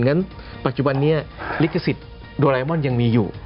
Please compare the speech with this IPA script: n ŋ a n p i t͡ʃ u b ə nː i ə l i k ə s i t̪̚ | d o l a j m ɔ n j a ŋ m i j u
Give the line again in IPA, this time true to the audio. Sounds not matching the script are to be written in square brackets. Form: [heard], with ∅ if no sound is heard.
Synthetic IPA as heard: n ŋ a n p [a] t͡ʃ u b [a] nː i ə l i k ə s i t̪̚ | d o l a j m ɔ n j a ŋ m i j u